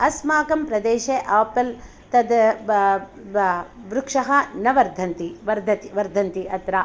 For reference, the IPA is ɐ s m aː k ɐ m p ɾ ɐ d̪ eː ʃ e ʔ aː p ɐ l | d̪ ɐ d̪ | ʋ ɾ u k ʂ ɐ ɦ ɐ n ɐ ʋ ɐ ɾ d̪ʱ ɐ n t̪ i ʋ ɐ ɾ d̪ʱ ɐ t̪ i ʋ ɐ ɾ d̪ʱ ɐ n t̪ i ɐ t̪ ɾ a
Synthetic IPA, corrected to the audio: ɐ s m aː k ɐ m p ɾ ɐ d̪ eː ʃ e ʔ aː p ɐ l | t̪ ɐ d̪ | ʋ ɾ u k ʂ ɐ ɦ ɐ n ɐ ʋ ɐ ɾ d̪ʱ ɐ n t̪ i ʋ ɐ ɾ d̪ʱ ɐ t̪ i ʋ ɐ ɾ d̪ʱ ɐ n t̪ i ɐ t̪ ɾ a